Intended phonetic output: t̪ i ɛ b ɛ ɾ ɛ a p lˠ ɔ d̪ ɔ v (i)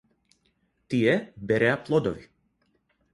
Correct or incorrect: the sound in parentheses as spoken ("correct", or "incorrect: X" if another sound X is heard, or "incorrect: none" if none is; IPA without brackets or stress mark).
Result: correct